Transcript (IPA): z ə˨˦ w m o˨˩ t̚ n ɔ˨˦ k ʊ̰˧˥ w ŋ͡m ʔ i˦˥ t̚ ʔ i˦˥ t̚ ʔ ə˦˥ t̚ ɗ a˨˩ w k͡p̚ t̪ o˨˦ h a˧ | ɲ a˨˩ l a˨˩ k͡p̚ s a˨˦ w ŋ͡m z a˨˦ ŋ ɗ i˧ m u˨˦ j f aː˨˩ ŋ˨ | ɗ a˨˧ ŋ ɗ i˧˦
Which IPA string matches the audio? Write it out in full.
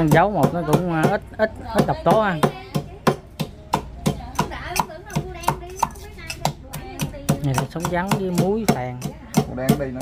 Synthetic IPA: z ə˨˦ w m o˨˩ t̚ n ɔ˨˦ k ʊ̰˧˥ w ŋ͡m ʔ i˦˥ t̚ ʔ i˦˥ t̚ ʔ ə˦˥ t̚ ɗ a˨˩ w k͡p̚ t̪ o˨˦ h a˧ | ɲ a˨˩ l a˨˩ s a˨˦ w ŋ͡m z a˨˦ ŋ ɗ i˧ m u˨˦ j f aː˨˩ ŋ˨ | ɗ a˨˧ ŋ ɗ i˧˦

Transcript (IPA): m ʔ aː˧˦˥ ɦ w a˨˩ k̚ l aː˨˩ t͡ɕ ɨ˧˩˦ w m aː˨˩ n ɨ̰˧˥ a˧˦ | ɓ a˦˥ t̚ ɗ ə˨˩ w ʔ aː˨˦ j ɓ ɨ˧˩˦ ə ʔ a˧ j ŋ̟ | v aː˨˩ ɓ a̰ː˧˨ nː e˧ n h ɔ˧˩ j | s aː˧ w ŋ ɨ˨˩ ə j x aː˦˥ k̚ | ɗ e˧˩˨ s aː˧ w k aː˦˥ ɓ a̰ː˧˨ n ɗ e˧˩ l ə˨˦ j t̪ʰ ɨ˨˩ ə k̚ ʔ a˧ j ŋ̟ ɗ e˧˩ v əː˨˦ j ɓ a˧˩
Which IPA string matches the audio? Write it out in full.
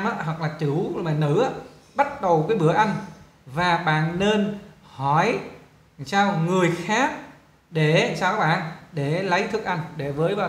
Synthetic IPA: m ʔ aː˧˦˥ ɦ w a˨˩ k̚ l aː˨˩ t͡ɕ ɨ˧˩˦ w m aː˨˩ n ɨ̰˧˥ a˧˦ | ɓ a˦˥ t̚ ɗ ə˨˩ w k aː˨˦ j ɓ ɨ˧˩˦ ə ʔ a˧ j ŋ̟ | v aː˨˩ ɓ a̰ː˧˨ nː e˧ n h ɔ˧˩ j | s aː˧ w ŋ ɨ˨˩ ə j x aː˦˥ k̚ | ɗ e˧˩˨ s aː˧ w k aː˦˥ ɓ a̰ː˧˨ n ɗ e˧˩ l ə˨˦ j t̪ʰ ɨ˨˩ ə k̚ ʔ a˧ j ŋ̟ ɗ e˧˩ v əː˨˦ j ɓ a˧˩

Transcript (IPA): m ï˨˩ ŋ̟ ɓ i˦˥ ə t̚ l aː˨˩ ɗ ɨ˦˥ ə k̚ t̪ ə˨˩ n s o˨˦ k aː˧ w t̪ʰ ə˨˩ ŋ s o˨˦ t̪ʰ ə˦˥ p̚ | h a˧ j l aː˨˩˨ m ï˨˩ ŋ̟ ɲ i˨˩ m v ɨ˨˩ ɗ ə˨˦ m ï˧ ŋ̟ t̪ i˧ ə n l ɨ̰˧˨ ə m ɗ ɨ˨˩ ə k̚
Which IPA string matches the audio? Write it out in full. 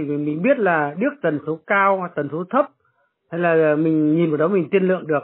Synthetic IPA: m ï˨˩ ŋ̟ ɓ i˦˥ ə t̚ l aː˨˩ ɗ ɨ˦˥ ə k̚ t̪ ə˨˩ n s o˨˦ k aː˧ w t̪ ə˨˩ n s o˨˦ t̪ʰ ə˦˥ p̚ | h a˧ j l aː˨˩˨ m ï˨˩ ŋ̟ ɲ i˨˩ n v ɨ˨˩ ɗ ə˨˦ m ï˨˩ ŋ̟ t̪ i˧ ə n l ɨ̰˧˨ ə ŋ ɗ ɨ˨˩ ə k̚

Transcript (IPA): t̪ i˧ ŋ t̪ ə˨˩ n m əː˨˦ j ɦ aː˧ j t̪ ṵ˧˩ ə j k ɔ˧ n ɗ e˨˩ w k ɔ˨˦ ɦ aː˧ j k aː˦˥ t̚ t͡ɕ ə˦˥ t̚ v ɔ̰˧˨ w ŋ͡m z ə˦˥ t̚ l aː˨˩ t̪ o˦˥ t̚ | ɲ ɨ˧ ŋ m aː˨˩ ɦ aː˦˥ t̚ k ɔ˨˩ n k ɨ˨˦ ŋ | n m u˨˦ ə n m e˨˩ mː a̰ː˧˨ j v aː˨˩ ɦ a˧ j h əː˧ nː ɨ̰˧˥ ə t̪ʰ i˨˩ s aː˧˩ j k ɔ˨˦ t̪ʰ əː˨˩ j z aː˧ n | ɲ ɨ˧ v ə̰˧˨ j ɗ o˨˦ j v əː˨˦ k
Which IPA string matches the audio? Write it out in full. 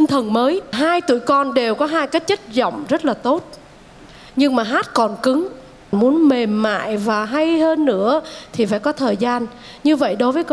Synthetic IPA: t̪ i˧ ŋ t̪ʰ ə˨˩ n m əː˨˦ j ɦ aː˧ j t̪ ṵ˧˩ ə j k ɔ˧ n ɗ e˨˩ w k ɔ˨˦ ɦ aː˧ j k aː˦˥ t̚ t͡ɕ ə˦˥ t̚ z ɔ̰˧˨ w ŋ͡m z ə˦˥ t̚ l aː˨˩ t̪ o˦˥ t̚ | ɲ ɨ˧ ŋ m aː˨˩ ɦ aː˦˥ t̚ k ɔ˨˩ n k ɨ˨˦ ŋ | n m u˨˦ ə n m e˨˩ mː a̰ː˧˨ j v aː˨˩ ɦ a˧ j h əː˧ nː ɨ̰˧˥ ə t̪ʰ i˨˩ f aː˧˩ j k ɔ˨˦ t̪ʰ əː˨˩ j z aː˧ n | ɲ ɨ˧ v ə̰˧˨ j ɗ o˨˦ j v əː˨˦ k

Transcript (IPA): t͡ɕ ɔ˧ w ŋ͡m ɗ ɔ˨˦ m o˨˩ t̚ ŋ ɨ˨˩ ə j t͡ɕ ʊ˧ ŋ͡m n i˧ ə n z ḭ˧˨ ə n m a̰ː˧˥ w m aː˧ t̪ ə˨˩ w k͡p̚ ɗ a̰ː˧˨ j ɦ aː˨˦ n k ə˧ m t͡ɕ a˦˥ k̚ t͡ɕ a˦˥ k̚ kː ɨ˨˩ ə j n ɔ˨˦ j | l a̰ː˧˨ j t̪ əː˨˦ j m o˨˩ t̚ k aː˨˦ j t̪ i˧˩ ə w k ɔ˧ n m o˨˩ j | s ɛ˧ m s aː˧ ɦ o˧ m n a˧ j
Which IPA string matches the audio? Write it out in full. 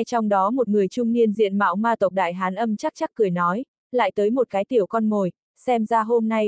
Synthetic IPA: t͡ɕ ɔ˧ w ŋ͡m ɗ ɔ˨˦ m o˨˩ t̚ ŋ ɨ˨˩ ə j t͡ɕ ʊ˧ ŋ͡m n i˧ ə n z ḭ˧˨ ə n m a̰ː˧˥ w m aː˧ t̪ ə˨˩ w k͡p̚ ɗ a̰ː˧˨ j ɦ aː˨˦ n ʔ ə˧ m t͡ɕ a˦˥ k̚ t͡ɕ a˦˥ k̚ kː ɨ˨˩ ə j n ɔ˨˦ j | l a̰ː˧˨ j t̪ əː˨˦ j m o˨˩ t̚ k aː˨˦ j t̪ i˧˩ ə w k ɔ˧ n m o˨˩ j | s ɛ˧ m z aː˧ ɦ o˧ m n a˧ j

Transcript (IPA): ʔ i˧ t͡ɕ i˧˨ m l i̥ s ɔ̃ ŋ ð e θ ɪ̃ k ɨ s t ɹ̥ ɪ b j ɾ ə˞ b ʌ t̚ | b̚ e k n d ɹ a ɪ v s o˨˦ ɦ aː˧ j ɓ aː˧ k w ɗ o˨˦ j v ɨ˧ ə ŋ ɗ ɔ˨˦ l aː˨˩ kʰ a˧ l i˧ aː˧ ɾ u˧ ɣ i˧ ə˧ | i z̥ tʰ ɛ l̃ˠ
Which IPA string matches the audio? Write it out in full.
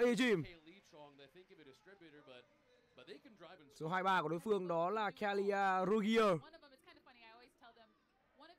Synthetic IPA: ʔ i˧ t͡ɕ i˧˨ m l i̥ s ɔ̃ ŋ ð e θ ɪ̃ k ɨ s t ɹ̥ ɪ b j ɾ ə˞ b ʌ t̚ | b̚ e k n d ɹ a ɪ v s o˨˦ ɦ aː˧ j ɓ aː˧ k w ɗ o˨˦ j f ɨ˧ ə ŋ ɗ ɔ˨˦ l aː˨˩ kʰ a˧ l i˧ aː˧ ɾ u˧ ɣ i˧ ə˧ | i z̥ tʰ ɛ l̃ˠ

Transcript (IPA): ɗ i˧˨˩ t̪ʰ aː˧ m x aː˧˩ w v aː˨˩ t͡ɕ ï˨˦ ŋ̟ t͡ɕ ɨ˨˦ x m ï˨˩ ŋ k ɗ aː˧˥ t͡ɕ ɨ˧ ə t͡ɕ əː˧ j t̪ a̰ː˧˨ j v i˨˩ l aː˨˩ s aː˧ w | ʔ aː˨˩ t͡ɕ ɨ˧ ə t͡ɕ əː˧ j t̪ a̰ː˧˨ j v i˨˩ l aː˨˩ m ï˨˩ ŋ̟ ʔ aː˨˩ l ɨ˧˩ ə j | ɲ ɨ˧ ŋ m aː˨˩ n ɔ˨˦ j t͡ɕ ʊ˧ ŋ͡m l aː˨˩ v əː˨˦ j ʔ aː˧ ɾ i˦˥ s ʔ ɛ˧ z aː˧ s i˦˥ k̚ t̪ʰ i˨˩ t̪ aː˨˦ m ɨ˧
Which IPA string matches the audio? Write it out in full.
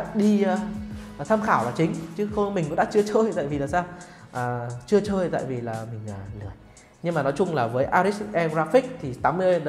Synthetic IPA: ɗ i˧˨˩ t̪ʰ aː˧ m x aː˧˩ w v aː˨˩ t͡ɕ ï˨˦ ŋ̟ t͡ɕ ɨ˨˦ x m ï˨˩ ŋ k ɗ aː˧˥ t͡ɕ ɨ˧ ə t͡ɕ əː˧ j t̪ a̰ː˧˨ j v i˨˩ l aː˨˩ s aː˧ w | ʔ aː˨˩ t͡ɕ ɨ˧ ə t͡ɕ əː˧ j t̪ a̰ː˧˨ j v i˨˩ l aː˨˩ m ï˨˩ ŋ̟ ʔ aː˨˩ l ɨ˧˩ ə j | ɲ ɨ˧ ŋ m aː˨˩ n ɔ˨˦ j t͡ɕ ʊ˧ ŋ͡m l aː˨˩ v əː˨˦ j ʔ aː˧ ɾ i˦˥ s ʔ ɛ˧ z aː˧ f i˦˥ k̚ t̪ʰ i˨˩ t̪ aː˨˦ m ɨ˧

